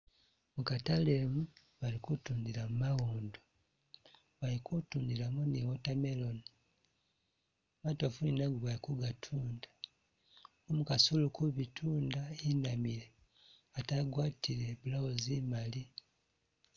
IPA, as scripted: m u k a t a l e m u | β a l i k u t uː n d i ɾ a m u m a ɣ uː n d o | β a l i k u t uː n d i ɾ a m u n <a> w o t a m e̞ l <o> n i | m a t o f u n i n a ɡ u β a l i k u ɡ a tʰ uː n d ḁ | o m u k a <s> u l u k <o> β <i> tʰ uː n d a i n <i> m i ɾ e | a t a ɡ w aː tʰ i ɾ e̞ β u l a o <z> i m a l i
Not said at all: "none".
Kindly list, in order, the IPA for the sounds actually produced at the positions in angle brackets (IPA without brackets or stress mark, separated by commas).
i, o, s, u, i, a, z